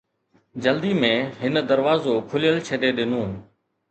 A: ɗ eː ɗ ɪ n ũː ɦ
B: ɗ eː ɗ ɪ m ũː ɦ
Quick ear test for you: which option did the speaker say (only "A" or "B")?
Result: A